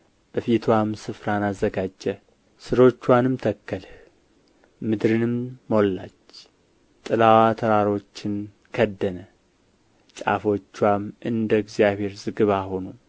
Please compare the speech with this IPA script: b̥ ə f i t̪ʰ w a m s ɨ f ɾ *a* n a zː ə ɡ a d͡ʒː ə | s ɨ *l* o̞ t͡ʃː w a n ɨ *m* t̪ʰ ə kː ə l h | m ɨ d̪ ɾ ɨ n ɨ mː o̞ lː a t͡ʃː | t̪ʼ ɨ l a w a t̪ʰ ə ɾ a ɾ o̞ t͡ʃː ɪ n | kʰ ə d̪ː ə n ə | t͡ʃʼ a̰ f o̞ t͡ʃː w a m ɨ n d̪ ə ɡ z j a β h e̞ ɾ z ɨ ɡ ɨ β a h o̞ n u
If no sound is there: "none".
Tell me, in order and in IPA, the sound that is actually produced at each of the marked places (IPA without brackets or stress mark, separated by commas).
a, ɾ, m